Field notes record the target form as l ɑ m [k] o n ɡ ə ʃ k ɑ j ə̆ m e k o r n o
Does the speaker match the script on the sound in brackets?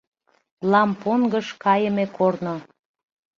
no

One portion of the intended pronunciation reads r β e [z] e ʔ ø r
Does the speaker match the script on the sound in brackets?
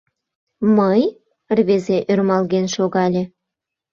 yes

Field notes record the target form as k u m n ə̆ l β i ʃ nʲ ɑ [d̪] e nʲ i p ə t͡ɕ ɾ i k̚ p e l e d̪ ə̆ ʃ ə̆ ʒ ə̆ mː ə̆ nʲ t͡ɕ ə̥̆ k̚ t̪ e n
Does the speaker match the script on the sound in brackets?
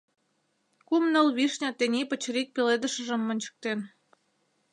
no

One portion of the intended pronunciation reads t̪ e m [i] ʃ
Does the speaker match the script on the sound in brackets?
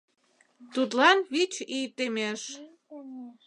no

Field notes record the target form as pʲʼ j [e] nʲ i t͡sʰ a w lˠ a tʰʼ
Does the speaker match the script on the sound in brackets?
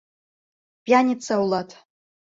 no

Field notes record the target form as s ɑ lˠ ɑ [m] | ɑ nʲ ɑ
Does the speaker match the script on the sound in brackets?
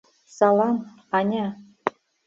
yes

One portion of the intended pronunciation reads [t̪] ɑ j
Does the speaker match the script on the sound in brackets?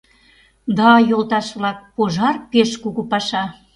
no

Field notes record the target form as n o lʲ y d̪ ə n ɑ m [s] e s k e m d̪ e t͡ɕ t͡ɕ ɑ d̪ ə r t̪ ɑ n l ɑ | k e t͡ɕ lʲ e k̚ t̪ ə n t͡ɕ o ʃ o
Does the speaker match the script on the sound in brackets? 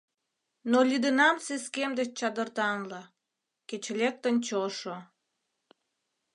yes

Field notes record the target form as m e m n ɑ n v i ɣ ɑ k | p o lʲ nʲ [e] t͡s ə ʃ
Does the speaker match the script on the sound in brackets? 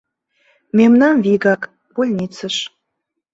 no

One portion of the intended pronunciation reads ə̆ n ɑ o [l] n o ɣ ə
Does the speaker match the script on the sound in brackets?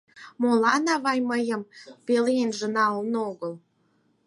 yes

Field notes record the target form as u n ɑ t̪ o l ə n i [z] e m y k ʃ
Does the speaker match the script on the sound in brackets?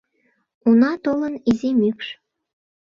yes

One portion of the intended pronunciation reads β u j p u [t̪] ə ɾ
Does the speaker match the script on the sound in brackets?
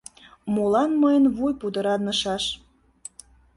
no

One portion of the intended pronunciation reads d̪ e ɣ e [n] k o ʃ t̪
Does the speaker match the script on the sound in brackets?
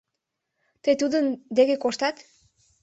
no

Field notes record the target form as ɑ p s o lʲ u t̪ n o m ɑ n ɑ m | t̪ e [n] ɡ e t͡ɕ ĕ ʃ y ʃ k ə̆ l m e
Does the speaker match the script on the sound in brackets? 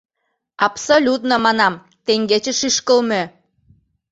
no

